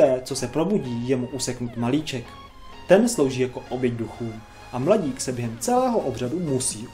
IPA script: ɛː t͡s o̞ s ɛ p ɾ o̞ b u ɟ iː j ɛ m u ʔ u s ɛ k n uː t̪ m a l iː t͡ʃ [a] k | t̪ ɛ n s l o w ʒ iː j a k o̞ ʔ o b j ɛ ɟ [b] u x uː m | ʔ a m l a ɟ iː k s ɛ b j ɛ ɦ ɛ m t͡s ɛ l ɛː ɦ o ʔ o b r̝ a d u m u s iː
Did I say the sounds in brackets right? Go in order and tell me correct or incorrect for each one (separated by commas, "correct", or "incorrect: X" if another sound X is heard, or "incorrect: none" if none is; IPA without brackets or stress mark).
incorrect: ɛ, incorrect: d